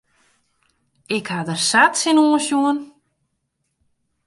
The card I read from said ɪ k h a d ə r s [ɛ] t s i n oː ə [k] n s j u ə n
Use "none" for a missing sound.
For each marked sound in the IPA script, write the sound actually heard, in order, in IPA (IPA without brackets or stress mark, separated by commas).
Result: a, none